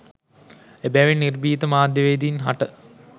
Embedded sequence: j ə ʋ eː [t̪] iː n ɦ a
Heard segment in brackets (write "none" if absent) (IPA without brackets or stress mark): d̪